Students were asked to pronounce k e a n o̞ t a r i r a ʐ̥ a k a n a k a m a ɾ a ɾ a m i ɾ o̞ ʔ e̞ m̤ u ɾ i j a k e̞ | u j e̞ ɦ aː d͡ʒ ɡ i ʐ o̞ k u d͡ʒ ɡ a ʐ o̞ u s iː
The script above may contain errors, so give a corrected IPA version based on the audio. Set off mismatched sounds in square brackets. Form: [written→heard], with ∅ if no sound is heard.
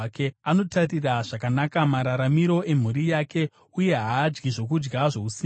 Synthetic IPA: k e a n o̞ t a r i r a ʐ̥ a k a n a k a m a ɾ a ɾ a m i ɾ o̞ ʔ e̞ m̤ u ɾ i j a k e̞ | u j e̞ ɦ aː d͡ʒ ɡ i ʐ o̞ k u d͡ʒ ɡ a ʐ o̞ u s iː